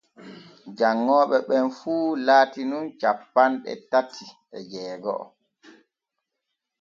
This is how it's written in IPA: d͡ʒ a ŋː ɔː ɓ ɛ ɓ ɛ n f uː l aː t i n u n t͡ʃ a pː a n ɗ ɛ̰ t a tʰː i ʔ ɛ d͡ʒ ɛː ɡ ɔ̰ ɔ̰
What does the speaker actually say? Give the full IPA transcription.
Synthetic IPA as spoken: d͡ʒ a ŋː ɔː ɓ ɛ ɓ ɛ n f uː l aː t i n u n t͡ʃ a pː a n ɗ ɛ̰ t a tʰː i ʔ ɛ d͡ʒ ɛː ɡ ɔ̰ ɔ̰